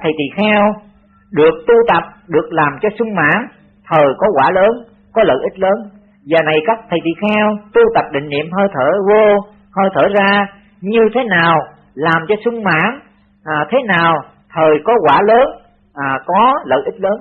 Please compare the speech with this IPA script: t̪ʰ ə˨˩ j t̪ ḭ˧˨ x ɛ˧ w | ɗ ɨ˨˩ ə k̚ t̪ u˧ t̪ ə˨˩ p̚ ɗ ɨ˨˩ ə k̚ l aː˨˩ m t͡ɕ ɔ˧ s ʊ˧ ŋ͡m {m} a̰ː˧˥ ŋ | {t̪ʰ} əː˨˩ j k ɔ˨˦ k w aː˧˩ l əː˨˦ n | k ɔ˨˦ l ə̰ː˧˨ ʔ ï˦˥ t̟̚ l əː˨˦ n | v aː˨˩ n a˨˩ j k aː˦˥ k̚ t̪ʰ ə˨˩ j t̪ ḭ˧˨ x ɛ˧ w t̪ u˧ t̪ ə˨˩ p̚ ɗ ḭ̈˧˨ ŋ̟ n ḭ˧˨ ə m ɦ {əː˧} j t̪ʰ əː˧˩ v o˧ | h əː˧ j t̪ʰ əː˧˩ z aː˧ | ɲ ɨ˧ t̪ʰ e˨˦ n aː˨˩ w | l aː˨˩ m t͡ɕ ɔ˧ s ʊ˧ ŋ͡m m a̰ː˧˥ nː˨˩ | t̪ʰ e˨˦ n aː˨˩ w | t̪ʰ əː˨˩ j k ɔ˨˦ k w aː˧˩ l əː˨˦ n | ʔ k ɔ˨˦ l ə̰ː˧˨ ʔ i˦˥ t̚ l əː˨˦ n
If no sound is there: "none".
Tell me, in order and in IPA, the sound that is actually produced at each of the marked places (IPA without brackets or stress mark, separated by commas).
m, t̪ʰ, əː˧